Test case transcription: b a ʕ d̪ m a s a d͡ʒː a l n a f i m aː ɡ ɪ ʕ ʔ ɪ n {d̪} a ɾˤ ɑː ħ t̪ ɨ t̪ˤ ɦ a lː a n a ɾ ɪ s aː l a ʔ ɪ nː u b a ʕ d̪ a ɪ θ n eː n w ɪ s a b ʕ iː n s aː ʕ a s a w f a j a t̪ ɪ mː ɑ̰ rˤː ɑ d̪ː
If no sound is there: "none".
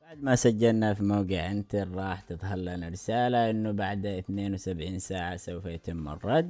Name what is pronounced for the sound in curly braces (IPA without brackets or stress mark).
t̪